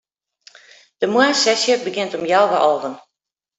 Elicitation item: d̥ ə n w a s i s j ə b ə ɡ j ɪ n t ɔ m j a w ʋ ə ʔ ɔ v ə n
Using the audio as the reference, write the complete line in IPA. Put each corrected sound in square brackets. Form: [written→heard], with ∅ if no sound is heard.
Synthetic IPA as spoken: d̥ ə [n→m] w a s [i→ɛ] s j ə b ə ɡ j ɪ n t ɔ m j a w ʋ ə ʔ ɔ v ə n

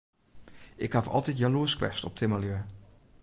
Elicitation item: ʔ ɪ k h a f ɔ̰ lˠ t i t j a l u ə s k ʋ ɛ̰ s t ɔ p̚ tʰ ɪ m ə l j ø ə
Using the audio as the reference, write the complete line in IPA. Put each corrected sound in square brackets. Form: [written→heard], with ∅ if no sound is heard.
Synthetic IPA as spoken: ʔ ɪ k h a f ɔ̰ lˠ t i t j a l u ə s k ʋ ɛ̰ s t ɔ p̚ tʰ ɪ m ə l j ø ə

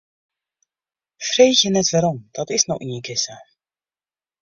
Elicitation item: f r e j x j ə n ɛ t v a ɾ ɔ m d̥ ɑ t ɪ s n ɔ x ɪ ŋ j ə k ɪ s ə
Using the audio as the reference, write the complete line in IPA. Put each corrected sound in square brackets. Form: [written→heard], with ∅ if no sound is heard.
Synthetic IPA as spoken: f r e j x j ə n ɛ t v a ɾ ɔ m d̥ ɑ t ɪ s n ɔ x ɪ [ŋ→n] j ə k ɪ s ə

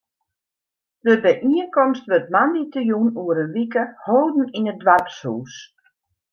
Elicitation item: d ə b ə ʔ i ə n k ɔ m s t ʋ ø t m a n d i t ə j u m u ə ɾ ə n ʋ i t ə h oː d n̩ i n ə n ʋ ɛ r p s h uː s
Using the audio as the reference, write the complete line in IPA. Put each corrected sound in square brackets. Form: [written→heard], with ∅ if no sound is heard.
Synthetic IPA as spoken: d ə b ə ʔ i ə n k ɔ m s t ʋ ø t m a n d i t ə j u [m→n] u ə ɾ ə n ʋ i [t→k] ə h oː d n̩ i n ə [n→d] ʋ [ɛ→a] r p s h uː s

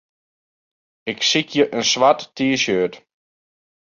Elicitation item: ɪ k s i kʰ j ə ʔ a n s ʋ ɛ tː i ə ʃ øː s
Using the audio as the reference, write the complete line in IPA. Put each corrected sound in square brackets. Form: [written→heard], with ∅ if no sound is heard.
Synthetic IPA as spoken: ɪ k s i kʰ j ə ʔ [a→ə] n s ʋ [ɛ→a] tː i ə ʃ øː [s→t]

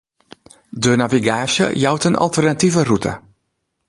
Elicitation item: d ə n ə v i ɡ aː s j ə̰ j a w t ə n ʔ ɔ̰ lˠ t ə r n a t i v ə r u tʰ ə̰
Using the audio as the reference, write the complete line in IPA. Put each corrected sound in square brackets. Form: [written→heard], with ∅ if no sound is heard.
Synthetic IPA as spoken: d ə n [ə→a] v i ɡ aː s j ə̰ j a w t ə n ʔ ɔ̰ lˠ t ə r n a t i v ə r u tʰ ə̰

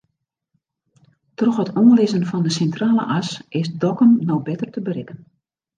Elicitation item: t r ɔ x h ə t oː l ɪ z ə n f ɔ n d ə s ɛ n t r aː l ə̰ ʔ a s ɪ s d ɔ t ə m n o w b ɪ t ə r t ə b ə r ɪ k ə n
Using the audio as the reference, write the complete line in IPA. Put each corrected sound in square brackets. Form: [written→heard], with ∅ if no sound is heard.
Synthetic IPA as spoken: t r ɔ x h ə t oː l ɪ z ə n f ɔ n d ə s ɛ n t r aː l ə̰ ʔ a s ɪ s d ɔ [t→k] ə m n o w b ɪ t ə r t ə b ə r ɪ k ə n

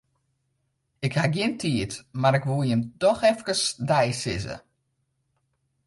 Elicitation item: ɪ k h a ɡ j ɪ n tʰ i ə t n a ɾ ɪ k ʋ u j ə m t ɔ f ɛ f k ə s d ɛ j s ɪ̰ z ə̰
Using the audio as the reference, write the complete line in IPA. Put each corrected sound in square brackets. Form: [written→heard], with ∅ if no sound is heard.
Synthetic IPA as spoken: ɪ k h a ɡ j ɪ n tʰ i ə t [n→m] a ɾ ɪ k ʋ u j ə m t ɔ [f→x] ɛ f k ə s d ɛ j s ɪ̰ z ə̰

